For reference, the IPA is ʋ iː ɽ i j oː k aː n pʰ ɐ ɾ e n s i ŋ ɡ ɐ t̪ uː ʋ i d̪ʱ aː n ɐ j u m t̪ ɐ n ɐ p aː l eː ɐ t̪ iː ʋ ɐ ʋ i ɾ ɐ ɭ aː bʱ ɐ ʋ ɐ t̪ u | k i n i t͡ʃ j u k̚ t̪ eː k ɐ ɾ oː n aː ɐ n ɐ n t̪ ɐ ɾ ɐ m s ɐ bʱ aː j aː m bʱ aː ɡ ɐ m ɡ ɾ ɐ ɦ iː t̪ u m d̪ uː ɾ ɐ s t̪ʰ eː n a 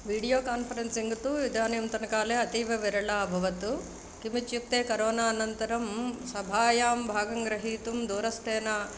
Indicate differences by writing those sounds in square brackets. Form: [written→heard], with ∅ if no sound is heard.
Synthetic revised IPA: ʋ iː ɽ i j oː k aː n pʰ ɐ ɾ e n s i ŋ ɡ ɐ t̪ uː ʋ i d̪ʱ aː n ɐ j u m t̪ ɐ n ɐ [p→k] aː l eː ɐ t̪ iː ʋ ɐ ʋ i ɾ ɐ ɭ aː bʱ ɐ ʋ ɐ t̪ u | k i [n→m] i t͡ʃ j u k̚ t̪ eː k ɐ ɾ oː n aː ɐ n ɐ n t̪ ɐ ɾ ɐ m s ɐ bʱ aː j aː m bʱ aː ɡ ɐ [m→ŋ] ɡ ɾ ɐ ɦ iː t̪ u m d̪ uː ɾ ɐ s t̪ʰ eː n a